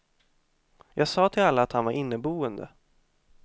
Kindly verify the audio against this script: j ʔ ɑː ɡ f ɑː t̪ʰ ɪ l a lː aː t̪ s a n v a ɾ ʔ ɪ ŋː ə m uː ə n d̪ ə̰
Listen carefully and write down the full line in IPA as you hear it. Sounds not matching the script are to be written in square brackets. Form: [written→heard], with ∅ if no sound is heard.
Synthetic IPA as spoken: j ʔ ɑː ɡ [f→s] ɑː t̪ʰ ɪ l a lː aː t̪ [s→h] a n v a ɾ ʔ ɪ [ŋː→nː] ə [m→b] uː ə n d̪ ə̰